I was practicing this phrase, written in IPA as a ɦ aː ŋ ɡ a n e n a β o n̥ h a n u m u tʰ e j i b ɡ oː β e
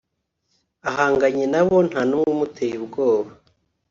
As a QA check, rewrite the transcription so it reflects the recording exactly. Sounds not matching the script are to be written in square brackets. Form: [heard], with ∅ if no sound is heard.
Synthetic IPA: a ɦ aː ŋ ɡ a [ɲ] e n a β o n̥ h a n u m u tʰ e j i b ɡ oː β [a]